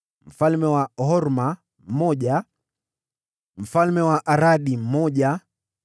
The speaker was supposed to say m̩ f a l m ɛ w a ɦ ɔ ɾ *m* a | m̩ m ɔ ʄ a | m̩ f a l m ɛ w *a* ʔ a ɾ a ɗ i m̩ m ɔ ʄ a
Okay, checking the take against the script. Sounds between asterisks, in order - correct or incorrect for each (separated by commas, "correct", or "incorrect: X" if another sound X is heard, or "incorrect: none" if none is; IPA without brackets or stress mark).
correct, correct